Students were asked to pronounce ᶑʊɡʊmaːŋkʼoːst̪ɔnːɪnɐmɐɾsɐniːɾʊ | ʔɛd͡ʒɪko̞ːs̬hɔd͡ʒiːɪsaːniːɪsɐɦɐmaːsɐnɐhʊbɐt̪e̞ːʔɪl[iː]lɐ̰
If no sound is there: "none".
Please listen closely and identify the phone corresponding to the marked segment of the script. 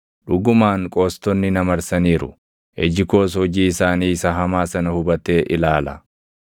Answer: aː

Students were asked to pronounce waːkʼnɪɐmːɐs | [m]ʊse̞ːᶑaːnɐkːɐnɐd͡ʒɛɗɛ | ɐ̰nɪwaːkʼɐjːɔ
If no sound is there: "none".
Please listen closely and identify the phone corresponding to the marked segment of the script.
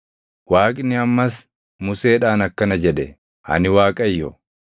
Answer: m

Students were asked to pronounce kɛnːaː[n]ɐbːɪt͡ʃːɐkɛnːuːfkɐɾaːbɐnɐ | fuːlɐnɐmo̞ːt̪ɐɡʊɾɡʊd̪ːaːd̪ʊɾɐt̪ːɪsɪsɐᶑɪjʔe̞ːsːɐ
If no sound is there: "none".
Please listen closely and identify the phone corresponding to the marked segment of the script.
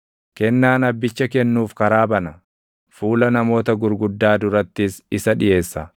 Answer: n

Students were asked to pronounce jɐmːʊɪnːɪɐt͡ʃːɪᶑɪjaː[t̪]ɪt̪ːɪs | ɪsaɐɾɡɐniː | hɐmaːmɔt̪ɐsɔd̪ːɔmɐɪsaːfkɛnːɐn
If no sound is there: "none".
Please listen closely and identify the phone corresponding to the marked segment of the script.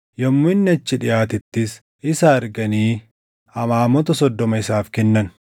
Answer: t̪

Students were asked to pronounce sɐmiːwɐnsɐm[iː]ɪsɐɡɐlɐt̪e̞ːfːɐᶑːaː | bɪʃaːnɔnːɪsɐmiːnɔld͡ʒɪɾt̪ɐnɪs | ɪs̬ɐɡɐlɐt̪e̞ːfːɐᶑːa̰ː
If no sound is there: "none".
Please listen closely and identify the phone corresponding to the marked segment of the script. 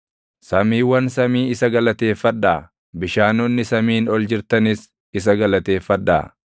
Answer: iː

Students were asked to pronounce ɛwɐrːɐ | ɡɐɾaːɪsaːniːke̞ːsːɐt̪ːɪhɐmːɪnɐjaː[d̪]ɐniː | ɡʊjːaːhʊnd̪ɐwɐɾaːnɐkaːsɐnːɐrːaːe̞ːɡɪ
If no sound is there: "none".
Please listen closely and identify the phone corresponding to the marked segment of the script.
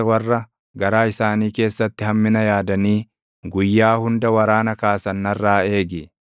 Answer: d̪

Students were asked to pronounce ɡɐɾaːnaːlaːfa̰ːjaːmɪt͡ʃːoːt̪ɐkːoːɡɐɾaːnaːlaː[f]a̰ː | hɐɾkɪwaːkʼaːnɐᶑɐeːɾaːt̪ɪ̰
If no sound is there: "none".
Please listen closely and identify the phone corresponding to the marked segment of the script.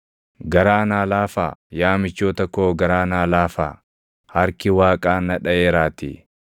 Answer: f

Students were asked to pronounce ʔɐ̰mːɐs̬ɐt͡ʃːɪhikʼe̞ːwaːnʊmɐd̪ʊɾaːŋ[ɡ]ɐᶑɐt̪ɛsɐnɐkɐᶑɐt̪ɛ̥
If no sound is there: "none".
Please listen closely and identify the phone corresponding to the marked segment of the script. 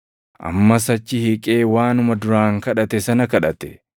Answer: k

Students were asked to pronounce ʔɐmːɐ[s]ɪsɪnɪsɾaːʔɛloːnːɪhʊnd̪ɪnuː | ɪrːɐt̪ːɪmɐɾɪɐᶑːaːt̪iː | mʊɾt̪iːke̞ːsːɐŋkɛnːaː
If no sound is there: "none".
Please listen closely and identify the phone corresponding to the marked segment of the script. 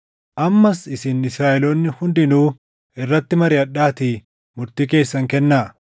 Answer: s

